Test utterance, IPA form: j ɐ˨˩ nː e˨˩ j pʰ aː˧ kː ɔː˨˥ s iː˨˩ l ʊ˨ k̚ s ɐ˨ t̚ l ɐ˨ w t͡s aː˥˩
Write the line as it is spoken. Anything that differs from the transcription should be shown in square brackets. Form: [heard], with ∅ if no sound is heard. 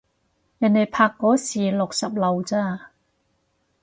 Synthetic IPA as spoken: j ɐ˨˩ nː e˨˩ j pʰ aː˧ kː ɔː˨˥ s iː˨˩ l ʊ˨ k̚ s ɐ˨ [p̚] l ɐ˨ w t͡s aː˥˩